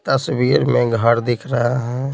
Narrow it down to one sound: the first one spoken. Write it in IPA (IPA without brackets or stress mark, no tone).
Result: t̪